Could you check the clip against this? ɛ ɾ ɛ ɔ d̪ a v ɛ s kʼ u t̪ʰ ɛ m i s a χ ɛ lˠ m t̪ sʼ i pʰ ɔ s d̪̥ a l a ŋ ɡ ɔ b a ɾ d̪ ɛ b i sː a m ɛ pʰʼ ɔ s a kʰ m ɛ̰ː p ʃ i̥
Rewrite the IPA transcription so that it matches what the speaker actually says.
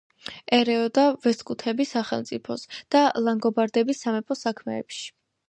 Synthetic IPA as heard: ɛ ɾ ɛ ɔ d̪ a v ɛ s kʼ u t̪ʰ ɛ b i s a χ ɛ lˠ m t̪ sʼ i pʰ ɔ s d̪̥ a l a ŋ ɡ ɔ b a ɾ d̪ ɛ b i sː a m ɛ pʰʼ ɔ s a kʰ m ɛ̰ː p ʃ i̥